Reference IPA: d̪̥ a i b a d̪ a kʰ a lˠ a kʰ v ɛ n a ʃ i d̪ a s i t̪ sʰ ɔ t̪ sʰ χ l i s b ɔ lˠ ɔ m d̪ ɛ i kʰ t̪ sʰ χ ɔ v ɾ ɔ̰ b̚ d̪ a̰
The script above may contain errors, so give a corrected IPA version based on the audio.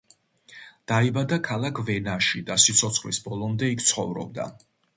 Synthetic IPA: d̪̥ a i b a d̪ a kʰ a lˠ a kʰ v ɛ n a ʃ i d̪ a s i t̪ sʰ ɔ t̪ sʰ χ l i s b ɔ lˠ ɔ m d̪ ɛ i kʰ t̪ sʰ χ ɔ v ɾ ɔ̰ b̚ d̪ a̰